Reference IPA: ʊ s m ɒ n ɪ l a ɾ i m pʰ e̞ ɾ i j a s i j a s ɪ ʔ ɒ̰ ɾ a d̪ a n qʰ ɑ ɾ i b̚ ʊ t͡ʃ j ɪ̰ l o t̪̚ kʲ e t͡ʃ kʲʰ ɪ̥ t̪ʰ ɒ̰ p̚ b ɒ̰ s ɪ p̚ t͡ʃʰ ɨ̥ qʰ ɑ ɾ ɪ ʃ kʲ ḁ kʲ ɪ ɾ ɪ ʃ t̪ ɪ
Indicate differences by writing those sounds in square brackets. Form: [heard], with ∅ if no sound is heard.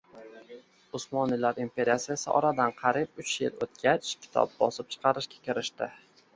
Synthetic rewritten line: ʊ s m ɒ n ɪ l a ɾ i m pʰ e̞ ɾ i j a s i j a s ɪ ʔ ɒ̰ ɾ a d̪ a n qʰ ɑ ɾ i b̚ ʊ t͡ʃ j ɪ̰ l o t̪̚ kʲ [a] t͡ʃ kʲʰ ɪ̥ t̪ʰ ɒ̰ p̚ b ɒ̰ s ɪ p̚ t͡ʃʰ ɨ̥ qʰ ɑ ɾ ɪ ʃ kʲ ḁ kʲ ɪ ɾ ɪ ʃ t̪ ɪ